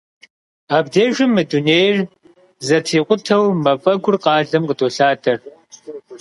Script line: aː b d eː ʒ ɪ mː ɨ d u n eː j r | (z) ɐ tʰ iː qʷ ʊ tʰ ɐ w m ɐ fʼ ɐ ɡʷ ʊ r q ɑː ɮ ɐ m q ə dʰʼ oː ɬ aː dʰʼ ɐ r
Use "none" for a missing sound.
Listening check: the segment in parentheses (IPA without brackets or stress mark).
z